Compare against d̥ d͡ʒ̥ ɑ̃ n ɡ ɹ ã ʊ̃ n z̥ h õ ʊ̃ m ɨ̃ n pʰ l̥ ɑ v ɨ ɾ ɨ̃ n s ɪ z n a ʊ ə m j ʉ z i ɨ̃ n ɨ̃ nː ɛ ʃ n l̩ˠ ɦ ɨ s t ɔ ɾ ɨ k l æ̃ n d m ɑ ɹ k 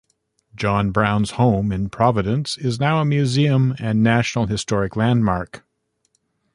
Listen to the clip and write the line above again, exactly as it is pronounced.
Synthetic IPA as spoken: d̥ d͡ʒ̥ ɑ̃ n b ɹ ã ʊ̃ n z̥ h õ ʊ̃ m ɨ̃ n pʰ ɹ̥ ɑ v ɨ ɾ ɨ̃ n s ɪ z n a ʊ ə m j ʉ z i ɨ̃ m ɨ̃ nː æ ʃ n l̩ˠ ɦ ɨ s t ɔ ɹ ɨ k l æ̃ n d m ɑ ɹ k

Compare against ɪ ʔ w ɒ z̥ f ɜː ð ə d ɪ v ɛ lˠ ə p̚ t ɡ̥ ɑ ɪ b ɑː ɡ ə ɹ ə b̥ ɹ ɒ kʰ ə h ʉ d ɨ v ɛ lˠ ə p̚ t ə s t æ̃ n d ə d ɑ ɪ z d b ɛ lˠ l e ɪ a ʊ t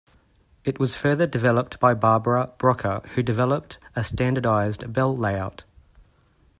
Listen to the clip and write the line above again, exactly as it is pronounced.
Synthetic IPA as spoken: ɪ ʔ w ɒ z̥ f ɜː ð ə d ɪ v ɛ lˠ ə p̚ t b̥ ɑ ɪ b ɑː b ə ɹ ə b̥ ɹ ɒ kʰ ə h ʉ d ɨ v ɛ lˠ ə p̚ t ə s t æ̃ n d ə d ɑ ɪ z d b ɛ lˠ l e ɪ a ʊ t

